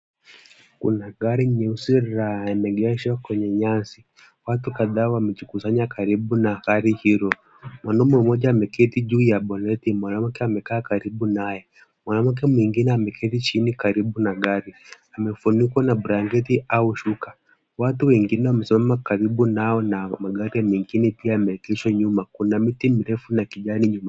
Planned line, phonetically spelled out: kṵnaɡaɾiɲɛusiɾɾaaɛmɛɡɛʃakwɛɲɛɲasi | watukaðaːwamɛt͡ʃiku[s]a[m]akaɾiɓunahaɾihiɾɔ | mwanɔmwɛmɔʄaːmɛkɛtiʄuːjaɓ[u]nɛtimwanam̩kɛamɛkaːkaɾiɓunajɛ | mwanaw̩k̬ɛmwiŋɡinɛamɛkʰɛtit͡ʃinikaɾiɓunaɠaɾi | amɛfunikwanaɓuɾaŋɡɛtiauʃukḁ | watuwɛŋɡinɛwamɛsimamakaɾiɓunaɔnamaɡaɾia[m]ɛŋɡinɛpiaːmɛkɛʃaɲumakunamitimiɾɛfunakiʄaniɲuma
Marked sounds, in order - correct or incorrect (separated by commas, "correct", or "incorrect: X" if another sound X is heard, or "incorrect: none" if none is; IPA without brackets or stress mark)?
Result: correct, incorrect: ɲ, incorrect: ɔ, correct